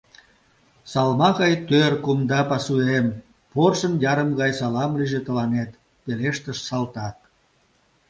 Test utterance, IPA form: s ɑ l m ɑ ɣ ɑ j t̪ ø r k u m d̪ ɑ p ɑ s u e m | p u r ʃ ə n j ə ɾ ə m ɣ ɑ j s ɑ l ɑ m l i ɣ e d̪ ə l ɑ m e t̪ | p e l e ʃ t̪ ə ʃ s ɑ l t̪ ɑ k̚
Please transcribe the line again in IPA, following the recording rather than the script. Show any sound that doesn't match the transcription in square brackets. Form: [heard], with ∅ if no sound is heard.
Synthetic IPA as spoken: s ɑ l m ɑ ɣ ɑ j t̪ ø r k u m d̪ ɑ p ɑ s u e m | p [o] r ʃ ə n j [ɑ] ɾ ə m ɣ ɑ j s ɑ l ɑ m l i [ʒ] e [t̪] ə l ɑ [n] e t̪ | p e l e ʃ t̪ ə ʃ s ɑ l t̪ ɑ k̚